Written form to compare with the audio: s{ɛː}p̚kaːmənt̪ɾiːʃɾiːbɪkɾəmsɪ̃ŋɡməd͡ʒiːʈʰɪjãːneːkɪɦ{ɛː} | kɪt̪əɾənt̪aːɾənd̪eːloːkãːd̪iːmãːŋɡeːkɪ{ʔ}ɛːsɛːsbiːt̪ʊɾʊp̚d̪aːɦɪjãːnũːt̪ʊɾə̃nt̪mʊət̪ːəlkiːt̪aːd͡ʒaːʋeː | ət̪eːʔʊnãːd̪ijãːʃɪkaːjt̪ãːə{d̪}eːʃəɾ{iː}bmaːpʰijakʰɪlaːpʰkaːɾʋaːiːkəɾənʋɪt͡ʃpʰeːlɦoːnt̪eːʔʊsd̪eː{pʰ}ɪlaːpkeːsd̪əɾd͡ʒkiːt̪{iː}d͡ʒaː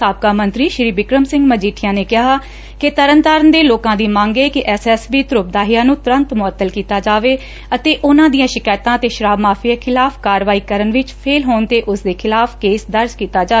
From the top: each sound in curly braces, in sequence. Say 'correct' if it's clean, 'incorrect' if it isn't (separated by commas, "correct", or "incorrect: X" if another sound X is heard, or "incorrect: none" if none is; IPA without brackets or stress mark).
incorrect: aː, incorrect: aː, correct, incorrect: t̪, incorrect: aː, incorrect: kʰ, incorrect: aː